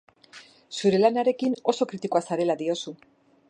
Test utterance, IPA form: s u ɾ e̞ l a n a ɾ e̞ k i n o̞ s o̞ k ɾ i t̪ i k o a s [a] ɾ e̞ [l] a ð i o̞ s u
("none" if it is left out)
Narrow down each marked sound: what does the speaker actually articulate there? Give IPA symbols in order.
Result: a, l

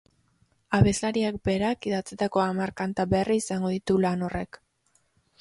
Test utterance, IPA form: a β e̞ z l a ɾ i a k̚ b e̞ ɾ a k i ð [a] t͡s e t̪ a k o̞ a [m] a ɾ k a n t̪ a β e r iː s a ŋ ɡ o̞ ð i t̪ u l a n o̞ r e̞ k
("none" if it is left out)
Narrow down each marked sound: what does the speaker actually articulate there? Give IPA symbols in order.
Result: a, m

